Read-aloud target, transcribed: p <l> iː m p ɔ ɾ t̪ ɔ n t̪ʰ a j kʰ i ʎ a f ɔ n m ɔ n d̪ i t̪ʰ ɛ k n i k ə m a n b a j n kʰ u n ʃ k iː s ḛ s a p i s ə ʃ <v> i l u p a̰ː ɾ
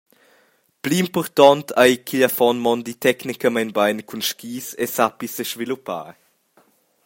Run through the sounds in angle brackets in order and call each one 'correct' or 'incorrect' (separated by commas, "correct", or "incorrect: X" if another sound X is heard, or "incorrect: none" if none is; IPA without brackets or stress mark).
correct, correct